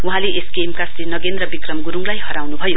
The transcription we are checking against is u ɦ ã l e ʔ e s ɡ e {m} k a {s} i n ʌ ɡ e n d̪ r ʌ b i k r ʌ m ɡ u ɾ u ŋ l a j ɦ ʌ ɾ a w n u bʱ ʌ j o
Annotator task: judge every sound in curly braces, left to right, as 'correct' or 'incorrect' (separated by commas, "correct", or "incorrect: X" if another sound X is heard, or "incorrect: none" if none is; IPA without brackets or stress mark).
correct, correct